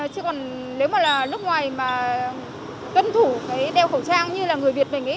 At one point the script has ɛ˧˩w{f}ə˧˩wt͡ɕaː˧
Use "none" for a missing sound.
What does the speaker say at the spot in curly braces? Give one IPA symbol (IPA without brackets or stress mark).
x